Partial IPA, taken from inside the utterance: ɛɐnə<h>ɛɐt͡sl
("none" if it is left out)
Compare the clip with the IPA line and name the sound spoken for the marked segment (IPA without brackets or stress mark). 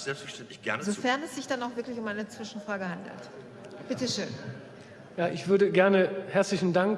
h